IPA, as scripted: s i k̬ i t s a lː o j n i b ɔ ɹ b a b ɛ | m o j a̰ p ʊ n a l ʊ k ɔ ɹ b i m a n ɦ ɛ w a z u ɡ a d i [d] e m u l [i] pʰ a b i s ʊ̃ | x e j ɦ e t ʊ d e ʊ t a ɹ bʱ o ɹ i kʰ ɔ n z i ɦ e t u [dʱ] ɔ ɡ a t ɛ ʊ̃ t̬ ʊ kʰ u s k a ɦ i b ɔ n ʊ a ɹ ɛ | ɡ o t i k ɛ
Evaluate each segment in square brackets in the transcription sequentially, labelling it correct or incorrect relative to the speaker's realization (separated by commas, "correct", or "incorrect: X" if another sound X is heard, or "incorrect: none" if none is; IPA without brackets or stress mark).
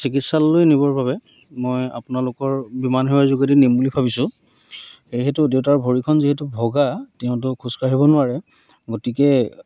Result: incorrect: n, correct, incorrect: bʱ